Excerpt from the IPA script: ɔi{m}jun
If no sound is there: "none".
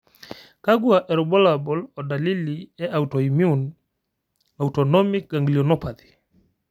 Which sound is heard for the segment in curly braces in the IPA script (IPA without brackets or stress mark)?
m